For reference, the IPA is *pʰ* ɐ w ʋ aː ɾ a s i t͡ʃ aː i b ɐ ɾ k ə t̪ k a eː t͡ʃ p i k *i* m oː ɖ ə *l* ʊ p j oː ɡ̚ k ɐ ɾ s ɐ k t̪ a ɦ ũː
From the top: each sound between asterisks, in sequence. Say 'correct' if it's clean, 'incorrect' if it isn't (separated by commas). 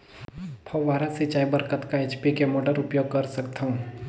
correct, incorrect, incorrect